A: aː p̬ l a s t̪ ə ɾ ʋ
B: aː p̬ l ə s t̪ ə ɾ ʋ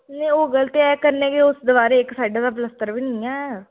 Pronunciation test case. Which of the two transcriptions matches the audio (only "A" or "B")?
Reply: B